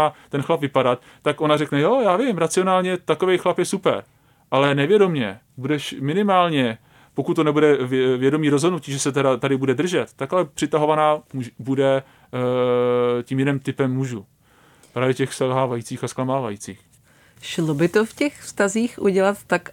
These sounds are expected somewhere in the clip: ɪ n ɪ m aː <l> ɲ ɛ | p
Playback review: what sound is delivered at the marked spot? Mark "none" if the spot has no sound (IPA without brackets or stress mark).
l